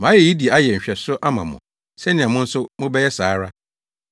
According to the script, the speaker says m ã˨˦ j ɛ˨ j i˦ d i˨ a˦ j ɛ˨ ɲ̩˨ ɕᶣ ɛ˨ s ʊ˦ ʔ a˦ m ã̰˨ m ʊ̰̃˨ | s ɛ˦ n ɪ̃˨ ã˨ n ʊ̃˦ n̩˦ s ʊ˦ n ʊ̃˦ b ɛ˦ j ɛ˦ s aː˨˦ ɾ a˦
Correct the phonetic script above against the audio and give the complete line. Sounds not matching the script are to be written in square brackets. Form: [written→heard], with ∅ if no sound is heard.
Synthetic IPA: m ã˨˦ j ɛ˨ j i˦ d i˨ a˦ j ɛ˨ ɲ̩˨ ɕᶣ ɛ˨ s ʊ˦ ʔ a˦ m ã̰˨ m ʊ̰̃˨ | s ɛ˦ n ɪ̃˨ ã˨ [n→m] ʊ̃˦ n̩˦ s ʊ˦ [n→m] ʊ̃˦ b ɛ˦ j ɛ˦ s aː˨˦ ɾ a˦